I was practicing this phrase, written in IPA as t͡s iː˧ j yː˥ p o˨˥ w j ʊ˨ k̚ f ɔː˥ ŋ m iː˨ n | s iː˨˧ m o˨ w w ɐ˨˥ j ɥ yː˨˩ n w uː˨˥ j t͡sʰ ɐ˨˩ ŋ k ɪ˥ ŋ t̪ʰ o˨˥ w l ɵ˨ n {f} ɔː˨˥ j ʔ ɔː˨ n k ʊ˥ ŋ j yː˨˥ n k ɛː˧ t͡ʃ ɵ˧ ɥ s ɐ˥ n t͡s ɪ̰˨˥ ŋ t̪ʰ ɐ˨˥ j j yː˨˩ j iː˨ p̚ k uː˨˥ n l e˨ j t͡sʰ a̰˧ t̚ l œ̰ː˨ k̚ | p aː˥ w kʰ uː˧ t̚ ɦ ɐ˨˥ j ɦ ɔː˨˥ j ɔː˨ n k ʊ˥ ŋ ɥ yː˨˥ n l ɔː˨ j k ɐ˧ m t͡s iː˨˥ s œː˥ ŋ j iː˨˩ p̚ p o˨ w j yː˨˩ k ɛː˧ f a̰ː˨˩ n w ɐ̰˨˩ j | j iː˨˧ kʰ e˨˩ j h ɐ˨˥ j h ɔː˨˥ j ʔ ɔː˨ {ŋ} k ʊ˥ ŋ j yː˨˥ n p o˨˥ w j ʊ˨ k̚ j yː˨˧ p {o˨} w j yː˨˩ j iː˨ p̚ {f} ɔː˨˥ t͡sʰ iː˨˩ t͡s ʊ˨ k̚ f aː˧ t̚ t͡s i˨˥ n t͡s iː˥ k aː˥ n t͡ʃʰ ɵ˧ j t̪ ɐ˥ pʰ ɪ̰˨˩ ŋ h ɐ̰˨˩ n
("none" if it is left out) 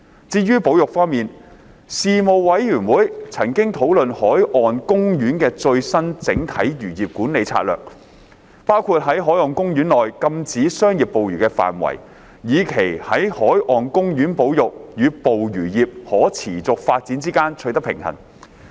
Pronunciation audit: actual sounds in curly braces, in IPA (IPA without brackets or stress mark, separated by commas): h, n, o˨, h